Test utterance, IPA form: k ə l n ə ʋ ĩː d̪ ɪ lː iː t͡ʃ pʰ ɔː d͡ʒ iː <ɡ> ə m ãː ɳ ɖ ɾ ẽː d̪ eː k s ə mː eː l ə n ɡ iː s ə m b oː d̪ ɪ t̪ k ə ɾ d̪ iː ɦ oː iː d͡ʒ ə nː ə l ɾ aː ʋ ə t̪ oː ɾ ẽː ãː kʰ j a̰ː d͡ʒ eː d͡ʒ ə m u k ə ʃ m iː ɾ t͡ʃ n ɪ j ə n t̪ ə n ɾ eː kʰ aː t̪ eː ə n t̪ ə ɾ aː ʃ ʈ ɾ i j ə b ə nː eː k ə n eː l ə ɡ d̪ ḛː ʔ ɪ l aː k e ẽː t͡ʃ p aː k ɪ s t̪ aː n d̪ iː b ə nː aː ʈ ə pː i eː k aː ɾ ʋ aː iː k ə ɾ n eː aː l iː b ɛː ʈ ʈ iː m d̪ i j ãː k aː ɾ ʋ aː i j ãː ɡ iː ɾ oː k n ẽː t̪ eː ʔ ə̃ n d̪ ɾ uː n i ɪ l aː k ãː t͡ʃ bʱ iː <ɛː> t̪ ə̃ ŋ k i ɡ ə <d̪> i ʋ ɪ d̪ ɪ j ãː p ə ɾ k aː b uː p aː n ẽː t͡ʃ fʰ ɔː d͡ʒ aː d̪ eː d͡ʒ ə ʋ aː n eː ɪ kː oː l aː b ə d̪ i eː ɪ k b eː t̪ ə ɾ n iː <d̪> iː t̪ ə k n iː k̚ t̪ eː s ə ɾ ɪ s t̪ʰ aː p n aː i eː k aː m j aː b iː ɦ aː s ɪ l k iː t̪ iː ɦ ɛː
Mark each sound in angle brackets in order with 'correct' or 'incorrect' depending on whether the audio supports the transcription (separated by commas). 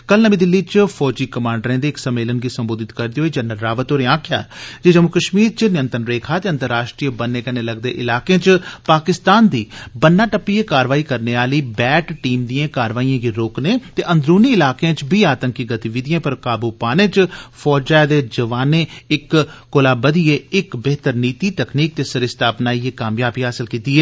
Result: incorrect, incorrect, incorrect, incorrect